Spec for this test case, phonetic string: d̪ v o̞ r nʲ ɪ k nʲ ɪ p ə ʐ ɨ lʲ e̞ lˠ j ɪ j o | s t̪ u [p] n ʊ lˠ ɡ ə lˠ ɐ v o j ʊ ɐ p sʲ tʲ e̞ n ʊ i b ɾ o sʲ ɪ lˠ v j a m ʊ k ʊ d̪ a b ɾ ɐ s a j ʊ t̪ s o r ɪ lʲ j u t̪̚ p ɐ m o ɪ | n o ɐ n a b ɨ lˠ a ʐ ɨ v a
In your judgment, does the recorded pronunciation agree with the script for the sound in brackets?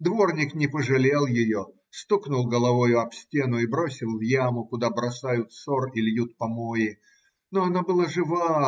no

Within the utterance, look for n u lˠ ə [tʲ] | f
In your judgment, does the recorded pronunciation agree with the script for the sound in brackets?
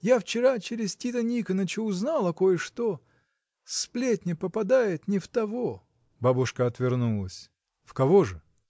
no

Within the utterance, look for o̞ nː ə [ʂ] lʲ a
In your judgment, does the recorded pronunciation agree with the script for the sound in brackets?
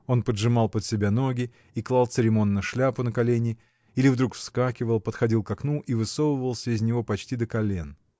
yes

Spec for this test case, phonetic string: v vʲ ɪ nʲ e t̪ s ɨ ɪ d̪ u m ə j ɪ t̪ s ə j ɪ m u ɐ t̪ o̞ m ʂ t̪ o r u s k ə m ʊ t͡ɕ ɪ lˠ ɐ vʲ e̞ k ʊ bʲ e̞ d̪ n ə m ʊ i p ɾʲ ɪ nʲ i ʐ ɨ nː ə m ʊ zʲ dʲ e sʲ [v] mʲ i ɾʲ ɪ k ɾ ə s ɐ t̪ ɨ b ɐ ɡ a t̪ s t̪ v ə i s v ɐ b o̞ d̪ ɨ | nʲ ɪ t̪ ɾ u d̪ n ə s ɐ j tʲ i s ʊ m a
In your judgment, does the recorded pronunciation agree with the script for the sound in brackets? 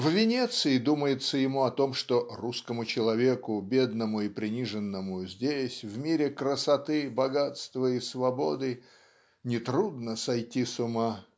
yes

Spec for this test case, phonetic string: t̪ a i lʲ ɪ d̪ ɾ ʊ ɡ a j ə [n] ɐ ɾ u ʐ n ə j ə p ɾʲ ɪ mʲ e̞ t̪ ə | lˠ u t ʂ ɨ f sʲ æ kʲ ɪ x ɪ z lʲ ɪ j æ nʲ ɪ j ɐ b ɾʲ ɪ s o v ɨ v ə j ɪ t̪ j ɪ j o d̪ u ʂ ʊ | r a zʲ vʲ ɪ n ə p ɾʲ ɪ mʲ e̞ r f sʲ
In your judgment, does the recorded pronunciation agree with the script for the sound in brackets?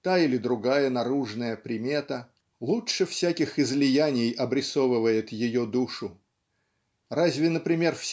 yes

